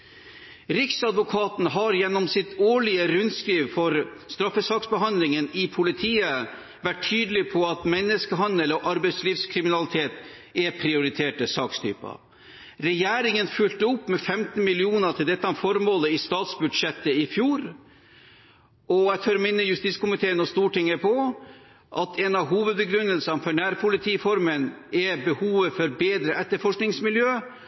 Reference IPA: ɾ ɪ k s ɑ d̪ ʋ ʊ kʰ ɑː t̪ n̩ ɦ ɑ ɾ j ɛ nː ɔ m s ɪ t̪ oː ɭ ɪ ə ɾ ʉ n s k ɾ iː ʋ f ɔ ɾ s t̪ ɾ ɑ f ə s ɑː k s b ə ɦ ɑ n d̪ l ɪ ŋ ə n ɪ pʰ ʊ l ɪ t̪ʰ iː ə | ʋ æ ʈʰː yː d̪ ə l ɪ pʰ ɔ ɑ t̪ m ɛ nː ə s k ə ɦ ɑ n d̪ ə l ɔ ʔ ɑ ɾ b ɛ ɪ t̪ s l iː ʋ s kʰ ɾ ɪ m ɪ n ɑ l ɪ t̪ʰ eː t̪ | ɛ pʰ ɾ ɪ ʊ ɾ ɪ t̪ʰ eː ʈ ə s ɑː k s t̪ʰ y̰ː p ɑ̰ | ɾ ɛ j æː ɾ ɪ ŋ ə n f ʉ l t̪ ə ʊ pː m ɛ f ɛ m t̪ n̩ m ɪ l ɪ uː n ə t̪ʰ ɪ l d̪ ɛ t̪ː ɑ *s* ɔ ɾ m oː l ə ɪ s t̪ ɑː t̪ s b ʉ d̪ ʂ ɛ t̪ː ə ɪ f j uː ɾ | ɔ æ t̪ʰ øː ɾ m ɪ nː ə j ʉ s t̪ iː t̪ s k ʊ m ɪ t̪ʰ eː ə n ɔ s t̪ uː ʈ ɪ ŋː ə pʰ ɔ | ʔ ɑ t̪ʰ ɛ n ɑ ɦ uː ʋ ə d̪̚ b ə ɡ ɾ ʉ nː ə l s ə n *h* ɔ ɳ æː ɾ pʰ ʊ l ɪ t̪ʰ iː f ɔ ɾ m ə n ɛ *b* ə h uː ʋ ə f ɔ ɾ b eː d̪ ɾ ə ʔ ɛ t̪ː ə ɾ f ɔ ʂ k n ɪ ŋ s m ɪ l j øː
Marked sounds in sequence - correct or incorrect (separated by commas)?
incorrect, incorrect, correct